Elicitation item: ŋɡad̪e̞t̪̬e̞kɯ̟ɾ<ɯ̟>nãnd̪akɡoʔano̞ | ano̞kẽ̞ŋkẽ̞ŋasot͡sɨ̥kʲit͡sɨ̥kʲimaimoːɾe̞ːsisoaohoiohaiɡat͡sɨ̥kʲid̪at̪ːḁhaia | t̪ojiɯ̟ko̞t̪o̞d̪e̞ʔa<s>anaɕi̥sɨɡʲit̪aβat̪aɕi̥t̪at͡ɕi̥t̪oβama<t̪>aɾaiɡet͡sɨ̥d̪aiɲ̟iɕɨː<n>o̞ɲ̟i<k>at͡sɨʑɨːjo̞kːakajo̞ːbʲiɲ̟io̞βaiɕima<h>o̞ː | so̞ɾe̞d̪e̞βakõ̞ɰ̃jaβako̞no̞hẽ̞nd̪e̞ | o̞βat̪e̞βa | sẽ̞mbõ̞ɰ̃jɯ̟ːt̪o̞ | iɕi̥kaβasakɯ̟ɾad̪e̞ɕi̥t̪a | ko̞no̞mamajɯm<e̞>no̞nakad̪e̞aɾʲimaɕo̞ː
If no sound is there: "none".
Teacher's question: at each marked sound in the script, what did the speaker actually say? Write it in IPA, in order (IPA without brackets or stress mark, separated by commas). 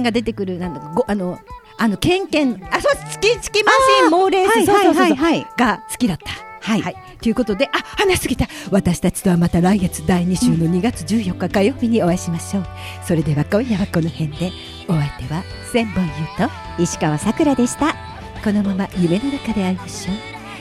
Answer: ɯ̟, h, t̪, n, ɡ, ɕ, e̞